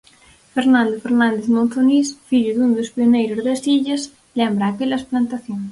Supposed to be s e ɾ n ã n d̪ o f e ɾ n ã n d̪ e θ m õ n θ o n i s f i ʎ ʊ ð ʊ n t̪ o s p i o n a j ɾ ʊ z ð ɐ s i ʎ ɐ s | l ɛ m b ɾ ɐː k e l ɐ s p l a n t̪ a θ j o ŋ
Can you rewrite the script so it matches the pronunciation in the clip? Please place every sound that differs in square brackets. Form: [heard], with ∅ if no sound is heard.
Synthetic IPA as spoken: [f] e ɾ n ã n d̪ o f e ɾ n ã n d̪ e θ m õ n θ o n i s f i ʎ ʊ ð [u] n [d̪] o s p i o n [e] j ɾ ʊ z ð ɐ s i ʎ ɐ s | l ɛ m b ɾ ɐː k e l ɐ s p l a n t̪ a θ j o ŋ